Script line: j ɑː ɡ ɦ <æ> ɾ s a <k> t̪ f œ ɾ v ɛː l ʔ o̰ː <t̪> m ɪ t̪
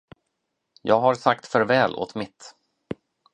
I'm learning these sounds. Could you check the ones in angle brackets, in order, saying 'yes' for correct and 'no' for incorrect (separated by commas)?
no, yes, yes